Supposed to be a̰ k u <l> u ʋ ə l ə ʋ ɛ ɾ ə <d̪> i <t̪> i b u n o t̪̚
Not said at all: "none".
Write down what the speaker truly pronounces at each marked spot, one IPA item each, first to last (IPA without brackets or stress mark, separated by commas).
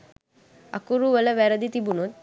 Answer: ɾ, d̪, t̪